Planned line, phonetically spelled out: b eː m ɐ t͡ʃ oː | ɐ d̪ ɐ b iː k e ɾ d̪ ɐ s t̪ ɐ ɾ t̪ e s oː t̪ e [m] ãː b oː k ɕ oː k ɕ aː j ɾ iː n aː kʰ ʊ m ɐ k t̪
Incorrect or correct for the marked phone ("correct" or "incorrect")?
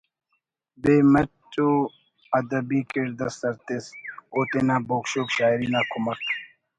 incorrect